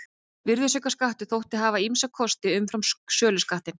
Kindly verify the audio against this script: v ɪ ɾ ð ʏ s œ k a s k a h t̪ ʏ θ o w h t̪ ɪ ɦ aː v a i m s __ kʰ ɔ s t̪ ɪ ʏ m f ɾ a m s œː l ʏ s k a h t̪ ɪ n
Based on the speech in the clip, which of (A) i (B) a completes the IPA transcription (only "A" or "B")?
B